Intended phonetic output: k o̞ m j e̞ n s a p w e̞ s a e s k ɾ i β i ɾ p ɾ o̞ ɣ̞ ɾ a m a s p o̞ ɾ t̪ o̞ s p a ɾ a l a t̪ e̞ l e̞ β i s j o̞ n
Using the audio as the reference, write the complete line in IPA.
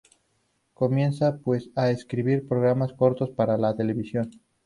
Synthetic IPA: k o̞ m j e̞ n s a p w e̞ s a e s k ɾ i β i ɾ p ɾ o̞ ɣ̞ ɾ a m a s k o̞ ɾ t̪ o̞ s p a ɾ a l a t̪ e̞ l e̞ β i s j o̞ n